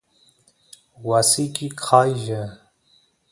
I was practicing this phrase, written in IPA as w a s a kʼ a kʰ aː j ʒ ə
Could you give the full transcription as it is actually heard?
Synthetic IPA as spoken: w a s i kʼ i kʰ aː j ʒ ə